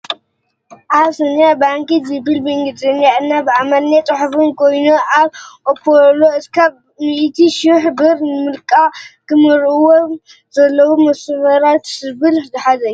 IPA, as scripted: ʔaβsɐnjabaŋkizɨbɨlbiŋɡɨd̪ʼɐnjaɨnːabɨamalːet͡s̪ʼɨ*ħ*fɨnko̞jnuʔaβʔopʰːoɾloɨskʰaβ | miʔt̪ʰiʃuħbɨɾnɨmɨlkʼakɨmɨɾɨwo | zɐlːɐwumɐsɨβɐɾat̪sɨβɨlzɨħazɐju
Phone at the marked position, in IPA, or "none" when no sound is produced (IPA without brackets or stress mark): ħ